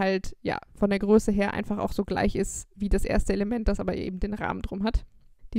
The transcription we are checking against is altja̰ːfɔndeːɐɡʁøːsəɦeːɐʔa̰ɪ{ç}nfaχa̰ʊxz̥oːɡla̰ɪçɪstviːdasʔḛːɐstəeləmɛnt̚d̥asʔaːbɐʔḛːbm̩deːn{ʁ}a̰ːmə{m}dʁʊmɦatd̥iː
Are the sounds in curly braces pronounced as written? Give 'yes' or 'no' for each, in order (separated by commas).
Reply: no, yes, no